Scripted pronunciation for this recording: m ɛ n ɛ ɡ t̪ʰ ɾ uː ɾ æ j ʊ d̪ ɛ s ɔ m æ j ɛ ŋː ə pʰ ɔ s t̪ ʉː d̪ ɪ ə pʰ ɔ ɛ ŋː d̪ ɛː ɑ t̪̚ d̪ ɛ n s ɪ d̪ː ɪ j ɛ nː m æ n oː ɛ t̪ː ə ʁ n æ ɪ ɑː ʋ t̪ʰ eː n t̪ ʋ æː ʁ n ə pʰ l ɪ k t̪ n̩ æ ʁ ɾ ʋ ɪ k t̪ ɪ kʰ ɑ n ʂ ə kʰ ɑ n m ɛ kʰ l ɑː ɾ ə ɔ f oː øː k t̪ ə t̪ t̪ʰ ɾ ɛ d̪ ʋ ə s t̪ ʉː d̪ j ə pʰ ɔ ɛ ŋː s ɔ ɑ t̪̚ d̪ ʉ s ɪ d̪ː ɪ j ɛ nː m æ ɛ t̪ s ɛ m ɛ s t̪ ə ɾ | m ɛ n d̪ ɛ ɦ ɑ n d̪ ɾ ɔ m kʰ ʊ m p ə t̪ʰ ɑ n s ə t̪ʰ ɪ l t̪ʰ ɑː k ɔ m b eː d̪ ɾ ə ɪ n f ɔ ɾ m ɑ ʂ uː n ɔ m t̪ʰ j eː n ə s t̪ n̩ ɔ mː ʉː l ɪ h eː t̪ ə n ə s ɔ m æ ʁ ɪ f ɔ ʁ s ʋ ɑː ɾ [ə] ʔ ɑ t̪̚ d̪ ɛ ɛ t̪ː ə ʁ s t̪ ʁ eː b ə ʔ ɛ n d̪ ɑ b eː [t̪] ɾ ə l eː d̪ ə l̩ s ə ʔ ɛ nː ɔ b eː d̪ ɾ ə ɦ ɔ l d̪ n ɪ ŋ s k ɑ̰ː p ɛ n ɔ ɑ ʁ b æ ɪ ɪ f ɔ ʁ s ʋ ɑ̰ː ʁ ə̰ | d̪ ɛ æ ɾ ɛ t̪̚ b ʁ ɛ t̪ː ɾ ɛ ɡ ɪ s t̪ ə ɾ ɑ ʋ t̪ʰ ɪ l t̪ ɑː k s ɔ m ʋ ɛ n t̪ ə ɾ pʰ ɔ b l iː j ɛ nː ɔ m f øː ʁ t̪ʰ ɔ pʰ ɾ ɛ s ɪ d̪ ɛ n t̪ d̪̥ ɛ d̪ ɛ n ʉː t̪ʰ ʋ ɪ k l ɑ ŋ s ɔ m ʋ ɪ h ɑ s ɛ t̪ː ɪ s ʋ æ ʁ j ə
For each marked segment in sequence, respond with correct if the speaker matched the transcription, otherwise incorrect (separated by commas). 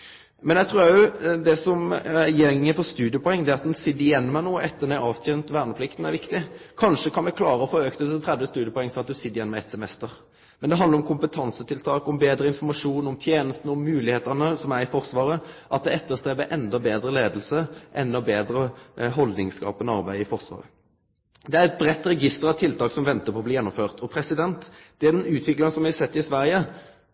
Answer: correct, incorrect